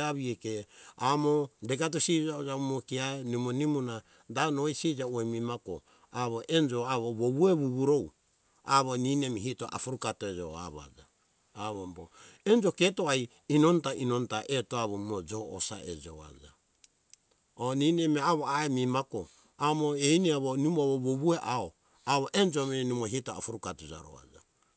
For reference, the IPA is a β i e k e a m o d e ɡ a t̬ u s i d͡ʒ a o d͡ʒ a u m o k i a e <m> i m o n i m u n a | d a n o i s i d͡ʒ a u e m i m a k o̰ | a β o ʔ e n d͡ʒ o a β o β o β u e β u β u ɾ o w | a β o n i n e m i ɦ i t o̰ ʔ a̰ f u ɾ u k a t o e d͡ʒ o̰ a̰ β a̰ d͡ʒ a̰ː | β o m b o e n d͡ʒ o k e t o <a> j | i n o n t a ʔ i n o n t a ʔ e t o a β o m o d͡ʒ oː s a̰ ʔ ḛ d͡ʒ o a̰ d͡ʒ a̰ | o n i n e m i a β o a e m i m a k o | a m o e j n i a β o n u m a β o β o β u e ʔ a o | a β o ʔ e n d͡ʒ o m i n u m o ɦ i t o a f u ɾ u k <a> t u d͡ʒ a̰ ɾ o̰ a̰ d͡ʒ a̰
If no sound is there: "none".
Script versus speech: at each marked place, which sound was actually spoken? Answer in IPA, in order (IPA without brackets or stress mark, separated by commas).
n, a, a